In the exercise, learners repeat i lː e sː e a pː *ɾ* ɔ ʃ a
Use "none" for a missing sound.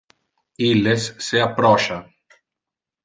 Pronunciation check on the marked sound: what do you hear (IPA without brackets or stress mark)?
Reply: ɾ